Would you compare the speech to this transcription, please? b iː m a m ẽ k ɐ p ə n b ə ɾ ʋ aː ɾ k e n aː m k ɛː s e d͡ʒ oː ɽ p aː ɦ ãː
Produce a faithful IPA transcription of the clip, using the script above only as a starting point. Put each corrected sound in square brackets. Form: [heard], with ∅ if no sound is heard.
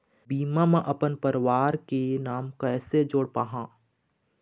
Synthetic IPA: b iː m a m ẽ [ʔ] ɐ p ə n [p] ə ɾ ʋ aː ɾ k e n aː m k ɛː s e d͡ʒ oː ɽ p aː ɦ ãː

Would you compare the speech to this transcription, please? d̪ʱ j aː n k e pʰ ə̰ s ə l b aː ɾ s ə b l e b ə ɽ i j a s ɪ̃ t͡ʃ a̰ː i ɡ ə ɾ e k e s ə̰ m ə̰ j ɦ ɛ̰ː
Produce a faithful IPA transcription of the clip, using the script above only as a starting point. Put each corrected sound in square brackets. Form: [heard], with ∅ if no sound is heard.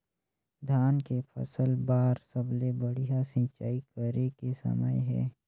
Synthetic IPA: d̪ʱ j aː n k e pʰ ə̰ s ə l b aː ɾ s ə b l e b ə ɽ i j a s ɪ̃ t͡ʃ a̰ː i [k] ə ɾ e k e s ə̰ m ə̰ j ɦ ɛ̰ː

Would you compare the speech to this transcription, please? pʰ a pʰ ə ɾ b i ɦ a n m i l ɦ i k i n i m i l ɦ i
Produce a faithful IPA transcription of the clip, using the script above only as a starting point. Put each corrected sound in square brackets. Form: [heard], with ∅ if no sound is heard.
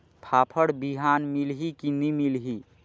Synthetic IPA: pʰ a pʰ ə [ɽ] b i ɦ a n m i l ɦ i k i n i m i l ɦ i

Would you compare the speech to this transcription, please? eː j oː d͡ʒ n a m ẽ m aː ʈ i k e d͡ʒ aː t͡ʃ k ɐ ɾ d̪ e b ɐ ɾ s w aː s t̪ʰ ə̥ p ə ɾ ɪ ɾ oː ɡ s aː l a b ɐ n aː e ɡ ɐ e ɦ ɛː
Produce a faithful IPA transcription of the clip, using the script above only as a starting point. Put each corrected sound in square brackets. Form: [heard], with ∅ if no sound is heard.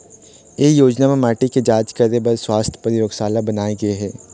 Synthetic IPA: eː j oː d͡ʒ n a m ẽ m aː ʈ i k e d͡ʒ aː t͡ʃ k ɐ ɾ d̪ e b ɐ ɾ s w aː s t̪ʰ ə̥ p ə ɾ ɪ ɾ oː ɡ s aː l a b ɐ n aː e ɡ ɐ e ɦ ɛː

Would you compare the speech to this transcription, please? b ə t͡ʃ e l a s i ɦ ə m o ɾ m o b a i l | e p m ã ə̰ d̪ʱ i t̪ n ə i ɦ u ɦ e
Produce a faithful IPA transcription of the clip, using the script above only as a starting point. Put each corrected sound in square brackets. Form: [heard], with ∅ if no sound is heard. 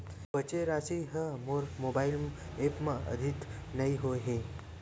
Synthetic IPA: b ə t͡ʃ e [ɾ] a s i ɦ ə m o ɾ m o b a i l | e p m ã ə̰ d̪ʱ i t̪ n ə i ɦ [o] ɦ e

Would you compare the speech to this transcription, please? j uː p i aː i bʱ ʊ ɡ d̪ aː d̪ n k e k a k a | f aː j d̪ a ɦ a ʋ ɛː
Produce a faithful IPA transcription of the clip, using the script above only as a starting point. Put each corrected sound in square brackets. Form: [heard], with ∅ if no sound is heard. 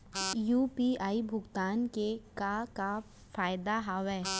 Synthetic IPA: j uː p i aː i bʱ ʊ ɡ [t̪] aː [∅] n k e k a k a | f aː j d̪ a ɦ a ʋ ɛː

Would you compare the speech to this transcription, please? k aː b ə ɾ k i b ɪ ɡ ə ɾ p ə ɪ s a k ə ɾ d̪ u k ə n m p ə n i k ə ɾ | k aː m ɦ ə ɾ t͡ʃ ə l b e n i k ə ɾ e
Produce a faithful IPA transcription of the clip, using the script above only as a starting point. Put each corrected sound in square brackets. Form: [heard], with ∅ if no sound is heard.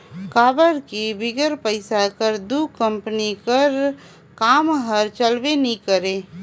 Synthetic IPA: k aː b ə ɾ k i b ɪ ɡ ə ɾ p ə ɪ s a k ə ɾ d̪ u k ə [∅] m p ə n i k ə ɾ | k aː m ɦ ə ɾ t͡ʃ ə l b e n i k ə ɾ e

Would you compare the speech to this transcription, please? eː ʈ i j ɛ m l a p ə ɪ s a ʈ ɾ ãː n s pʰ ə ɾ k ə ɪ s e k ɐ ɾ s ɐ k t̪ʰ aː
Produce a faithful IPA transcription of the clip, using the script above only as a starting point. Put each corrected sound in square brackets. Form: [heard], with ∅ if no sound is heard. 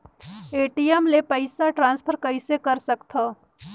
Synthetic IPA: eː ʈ i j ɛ m l [e] p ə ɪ s a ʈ ɾ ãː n s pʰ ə ɾ k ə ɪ s e k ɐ ɾ s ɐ k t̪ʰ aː

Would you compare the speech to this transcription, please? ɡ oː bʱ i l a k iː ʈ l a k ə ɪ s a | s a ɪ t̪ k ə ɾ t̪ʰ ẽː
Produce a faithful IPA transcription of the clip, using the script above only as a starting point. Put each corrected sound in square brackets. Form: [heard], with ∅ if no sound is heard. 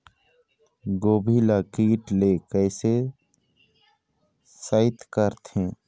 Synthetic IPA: ɡ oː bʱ i l a k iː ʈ l [e] k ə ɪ s [e] | s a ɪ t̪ k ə ɾ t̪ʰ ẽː

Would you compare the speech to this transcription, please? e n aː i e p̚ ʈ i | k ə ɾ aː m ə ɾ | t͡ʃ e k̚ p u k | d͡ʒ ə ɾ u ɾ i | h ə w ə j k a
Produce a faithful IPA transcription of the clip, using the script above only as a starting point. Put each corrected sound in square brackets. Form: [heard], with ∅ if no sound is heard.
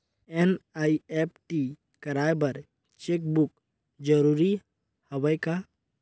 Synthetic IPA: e n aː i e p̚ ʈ i | k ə ɾ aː [b] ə ɾ | t͡ʃ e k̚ [b] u k | d͡ʒ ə ɾ u ɾ i | h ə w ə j k a

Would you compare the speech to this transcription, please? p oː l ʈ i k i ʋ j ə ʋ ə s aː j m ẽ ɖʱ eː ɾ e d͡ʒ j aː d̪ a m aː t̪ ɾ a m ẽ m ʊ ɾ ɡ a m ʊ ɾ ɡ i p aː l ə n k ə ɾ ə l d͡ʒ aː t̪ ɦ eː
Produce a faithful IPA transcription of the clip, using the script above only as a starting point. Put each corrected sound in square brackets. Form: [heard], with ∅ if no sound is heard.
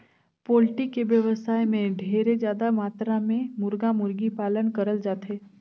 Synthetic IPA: p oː l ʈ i k [e] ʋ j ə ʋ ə s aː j m ẽ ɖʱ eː ɾ e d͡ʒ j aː d̪ a m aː t̪ ɾ a m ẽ m ʊ ɾ ɡ a m ʊ ɾ ɡ i p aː l ə n k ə ɾ ə l d͡ʒ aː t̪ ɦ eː

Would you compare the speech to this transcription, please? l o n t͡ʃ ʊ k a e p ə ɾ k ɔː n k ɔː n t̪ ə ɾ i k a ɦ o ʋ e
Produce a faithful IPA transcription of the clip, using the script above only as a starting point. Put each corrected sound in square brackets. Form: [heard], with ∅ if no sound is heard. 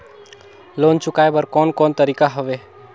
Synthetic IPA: l o n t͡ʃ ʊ k a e [b] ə ɾ k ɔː n k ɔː n t̪ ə ɾ i k a ɦ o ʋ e

